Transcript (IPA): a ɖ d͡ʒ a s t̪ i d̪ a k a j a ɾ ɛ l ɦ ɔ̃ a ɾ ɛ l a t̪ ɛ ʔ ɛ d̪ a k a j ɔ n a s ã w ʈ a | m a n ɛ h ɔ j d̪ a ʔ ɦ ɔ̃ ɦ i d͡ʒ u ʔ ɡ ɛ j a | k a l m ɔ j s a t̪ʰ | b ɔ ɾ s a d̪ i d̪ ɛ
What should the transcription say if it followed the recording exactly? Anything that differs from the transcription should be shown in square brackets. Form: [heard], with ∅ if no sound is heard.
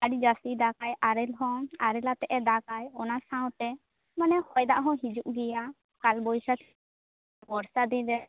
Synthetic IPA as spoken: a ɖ d͡ʒ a s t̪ i d̪ a k a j a ɾ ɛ l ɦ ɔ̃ a ɾ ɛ l a t̪ ɛ ʔ ɛ d̪ a k a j ɔ n a s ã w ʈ [ɛ] | m a n ɛ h ɔ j d̪ a ʔ ɦ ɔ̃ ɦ i d͡ʒ u ʔ ɡ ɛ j a | k a l [b] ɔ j s a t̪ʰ | b ɔ ɾ s a d̪ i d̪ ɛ